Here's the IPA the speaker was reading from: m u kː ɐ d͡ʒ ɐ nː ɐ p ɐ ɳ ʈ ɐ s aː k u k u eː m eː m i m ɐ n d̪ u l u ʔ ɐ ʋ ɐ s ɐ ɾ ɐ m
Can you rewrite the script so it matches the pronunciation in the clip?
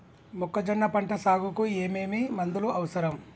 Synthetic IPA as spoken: m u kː ɐ d͡ʒ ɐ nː ɐ p ɐ ɳ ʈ ɐ s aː ɡ u k u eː m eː m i m ɐ n d̪ u l u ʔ ɐ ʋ ɐ s ɐ ɾ ɐ m